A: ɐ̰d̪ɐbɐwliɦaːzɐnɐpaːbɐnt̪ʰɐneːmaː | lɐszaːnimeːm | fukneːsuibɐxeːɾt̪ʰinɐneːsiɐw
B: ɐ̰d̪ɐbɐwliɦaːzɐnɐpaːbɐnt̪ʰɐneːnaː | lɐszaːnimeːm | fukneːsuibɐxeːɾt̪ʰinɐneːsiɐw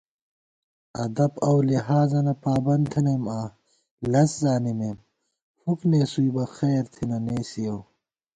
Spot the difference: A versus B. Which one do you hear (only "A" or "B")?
A